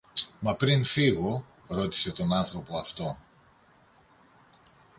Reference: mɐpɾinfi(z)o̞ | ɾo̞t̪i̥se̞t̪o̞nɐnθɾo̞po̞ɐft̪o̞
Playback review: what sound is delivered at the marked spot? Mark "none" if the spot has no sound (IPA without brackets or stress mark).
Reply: ɣ